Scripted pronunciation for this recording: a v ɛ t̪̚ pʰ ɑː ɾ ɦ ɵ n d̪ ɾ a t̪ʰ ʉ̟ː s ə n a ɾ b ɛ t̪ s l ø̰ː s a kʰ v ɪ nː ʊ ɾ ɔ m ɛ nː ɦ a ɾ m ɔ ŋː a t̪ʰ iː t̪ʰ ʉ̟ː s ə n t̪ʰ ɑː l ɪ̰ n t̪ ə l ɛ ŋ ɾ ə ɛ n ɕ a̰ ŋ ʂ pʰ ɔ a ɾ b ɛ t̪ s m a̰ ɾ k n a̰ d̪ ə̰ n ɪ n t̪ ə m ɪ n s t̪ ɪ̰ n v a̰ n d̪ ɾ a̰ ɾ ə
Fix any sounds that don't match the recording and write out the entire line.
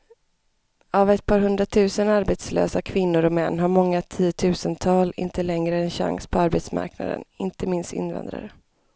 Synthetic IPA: a v ɛ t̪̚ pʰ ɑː ɾ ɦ ɵ n d̪ ɾ a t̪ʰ ʉ̟ː s ə n a ɾ b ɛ t̪ s l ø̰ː s a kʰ v ɪ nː ʊ ɾ ɔ m ɛ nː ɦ a ɾ m ɔ ŋː a t̪ʰ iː t̪ʰ ʉ̟ː s ə n t̪ʰ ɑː l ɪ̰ n t̪ ə l ɛ ŋ ɾ ə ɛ n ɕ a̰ ŋ s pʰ ɔ a ɾ b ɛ t̪ s m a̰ ɾ k n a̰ d̪ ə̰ n ɪ n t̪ ə m ɪ n s t̪ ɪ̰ n v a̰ n d̪ ɾ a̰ ɾ ə